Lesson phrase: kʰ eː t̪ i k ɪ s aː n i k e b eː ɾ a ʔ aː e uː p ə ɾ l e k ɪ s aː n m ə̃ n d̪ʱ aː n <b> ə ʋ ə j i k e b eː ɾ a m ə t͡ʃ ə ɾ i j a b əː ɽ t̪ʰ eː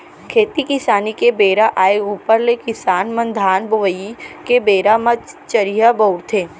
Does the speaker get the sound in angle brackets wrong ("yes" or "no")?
no